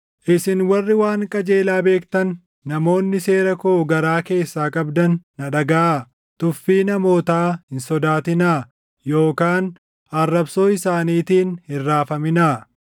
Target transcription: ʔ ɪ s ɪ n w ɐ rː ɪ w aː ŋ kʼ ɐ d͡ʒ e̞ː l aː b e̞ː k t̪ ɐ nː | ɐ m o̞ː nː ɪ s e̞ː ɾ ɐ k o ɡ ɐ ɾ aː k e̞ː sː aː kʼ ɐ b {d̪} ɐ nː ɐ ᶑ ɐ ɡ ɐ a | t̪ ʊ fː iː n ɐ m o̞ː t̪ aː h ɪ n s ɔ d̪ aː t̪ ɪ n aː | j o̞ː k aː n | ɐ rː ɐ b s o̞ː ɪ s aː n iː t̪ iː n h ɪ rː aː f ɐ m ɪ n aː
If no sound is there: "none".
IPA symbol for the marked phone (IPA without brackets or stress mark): d̪